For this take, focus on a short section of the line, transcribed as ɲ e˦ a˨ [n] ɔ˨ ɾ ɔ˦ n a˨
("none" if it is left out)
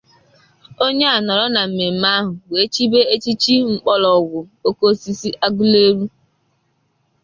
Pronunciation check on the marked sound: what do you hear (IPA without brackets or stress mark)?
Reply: n